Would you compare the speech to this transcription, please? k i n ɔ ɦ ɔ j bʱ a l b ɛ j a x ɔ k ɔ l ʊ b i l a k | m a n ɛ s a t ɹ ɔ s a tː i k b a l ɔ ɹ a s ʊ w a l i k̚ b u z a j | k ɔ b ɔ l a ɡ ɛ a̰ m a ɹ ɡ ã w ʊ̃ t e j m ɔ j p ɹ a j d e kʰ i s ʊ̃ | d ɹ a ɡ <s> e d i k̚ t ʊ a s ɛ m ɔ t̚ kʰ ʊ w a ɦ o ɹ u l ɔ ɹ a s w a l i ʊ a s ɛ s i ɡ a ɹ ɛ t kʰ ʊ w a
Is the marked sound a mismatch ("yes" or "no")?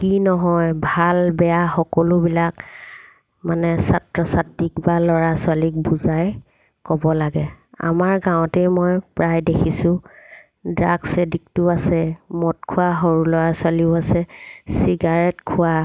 no